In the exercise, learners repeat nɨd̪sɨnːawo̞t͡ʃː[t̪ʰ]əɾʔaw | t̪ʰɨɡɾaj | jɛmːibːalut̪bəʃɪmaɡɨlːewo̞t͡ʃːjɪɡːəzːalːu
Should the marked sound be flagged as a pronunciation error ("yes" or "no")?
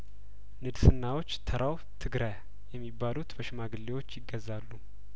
no